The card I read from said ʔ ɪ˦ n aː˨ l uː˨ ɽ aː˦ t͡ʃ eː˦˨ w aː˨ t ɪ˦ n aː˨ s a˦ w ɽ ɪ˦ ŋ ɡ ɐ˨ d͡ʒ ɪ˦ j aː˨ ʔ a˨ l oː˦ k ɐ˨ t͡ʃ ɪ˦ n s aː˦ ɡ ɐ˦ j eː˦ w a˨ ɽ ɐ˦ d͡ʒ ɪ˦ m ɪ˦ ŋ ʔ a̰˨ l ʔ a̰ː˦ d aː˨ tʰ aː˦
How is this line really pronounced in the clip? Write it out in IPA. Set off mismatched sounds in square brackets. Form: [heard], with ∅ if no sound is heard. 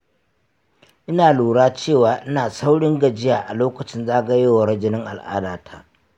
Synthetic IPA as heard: ʔ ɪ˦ n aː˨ l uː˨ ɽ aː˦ t͡ʃ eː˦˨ w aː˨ [ʔ] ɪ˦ n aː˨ s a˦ w ɽ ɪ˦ ŋ ɡ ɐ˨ d͡ʒ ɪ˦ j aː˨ ʔ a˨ l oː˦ k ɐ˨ t͡ʃ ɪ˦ n [z] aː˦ ɡ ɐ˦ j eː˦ w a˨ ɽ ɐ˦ d͡ʒ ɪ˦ [n] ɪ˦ ŋ ʔ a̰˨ l ʔ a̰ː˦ d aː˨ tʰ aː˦